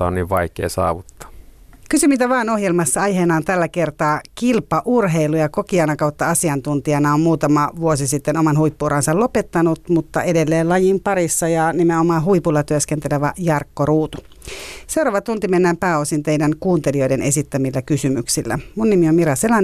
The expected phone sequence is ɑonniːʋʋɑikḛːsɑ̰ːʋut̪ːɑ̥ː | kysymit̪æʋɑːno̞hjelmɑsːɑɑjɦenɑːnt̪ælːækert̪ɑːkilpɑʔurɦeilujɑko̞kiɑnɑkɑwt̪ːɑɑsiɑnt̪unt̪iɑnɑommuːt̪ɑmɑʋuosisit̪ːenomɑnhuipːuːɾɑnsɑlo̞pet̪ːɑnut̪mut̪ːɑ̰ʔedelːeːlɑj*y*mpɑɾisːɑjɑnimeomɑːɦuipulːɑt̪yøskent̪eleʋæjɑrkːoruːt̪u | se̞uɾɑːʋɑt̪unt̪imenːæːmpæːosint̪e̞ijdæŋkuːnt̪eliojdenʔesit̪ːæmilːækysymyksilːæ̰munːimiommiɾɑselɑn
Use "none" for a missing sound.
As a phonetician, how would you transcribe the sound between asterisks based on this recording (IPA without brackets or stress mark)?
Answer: i